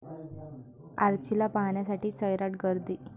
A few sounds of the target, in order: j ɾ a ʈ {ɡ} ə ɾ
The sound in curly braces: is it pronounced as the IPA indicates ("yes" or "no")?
yes